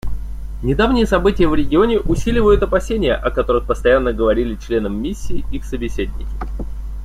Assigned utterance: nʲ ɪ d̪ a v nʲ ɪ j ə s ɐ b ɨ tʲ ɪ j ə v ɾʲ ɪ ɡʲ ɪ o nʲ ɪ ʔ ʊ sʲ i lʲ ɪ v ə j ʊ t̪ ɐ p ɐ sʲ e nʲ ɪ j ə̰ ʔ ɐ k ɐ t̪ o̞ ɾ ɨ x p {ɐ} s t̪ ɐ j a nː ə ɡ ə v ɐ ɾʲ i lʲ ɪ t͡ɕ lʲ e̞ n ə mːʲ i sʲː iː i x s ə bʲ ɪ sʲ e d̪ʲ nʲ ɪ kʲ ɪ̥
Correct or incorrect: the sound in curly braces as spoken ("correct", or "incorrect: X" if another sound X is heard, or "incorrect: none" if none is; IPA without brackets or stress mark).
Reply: incorrect: ə